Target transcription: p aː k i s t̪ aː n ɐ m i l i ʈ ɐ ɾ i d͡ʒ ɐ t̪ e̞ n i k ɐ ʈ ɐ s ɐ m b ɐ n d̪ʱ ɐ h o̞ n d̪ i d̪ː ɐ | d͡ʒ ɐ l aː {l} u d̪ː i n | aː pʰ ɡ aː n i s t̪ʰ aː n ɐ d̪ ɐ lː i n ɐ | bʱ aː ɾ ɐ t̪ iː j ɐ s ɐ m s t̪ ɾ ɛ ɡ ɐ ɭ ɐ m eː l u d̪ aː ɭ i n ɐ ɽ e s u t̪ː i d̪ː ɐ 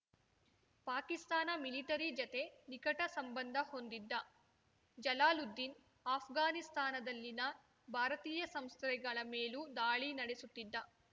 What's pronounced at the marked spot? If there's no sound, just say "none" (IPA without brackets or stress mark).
l